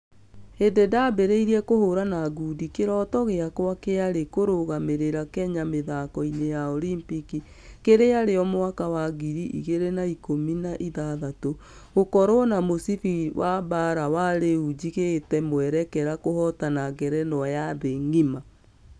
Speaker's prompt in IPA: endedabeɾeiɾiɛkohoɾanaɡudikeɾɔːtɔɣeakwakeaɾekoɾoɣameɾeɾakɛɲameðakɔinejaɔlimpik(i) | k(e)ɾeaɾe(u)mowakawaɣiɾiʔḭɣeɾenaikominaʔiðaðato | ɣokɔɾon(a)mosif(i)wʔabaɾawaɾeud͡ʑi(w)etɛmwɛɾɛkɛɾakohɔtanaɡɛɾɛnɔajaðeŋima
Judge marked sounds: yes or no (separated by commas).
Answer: yes, yes, no, yes, yes, no